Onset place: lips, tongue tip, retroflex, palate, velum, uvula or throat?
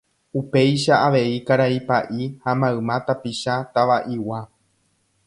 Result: lips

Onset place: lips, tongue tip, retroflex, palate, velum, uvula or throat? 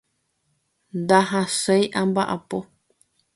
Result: tongue tip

